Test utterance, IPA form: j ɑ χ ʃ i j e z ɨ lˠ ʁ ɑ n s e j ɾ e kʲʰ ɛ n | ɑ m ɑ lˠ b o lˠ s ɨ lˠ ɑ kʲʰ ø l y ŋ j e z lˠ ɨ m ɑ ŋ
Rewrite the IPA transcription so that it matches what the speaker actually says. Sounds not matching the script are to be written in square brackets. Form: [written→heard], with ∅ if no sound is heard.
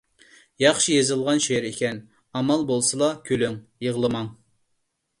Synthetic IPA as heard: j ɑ χ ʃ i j e z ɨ lˠ ʁ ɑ n [s→ʃ] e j ɾ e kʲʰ ɛ n | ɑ m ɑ lˠ b o lˠ s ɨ lˠ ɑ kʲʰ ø l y ŋ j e [z→ʁ] lˠ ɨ m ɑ ŋ